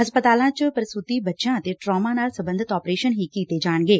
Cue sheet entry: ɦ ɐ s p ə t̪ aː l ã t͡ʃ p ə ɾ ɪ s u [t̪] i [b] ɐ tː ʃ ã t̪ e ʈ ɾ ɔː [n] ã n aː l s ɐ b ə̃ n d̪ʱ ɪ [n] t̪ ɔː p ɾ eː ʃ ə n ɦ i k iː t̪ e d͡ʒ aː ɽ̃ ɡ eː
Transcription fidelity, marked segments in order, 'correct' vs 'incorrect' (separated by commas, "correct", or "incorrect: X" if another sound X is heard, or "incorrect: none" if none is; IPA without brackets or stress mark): correct, correct, incorrect: m, incorrect: none